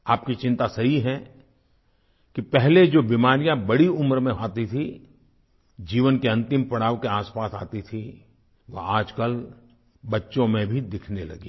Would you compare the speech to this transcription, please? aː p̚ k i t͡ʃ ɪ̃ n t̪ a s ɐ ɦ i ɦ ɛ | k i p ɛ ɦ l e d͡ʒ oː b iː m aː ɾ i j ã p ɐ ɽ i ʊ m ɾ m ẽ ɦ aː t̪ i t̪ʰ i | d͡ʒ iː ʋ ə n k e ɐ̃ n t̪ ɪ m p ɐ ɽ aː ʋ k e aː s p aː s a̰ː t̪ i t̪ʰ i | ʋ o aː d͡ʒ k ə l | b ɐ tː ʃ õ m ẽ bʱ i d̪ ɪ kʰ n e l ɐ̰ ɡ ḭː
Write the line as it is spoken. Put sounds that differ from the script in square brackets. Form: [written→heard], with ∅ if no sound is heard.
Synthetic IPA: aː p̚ k i t͡ʃ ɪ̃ n t̪ a s ɐ ɦ i ɦ ɛ | k i p ɛ ɦ l e d͡ʒ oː b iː m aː ɾ i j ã [p→b] ɐ ɽ i ʊ m ɾ m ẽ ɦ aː t̪ i t̪ʰ i | d͡ʒ iː ʋ ə n k e ɐ̃ n t̪ ɪ m p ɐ ɽ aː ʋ k e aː s p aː s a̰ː t̪ i t̪ʰ i | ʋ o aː d͡ʒ k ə l | b ɐ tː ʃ õ m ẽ bʱ i d̪ ɪ kʰ n e l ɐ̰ ɡ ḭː